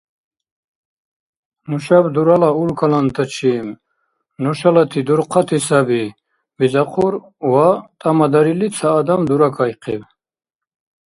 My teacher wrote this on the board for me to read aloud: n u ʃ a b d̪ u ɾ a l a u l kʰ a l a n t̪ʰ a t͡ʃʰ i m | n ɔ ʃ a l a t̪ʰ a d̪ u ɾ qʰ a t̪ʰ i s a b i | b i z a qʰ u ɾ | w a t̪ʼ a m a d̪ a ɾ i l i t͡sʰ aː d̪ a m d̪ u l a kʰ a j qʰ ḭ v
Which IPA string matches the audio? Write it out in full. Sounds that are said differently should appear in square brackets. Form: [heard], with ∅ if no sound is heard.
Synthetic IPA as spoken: n u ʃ a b d̪ u ɾ a l a u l kʰ a l a n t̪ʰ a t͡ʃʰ i m | n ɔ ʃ a l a t̪ʰ [i] d̪ u ɾ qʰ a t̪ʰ i s a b i | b i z a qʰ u ɾ | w a t̪ʼ a m a d̪ a ɾ i l i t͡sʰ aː d̪ a m d̪ u [ɾ] a kʰ a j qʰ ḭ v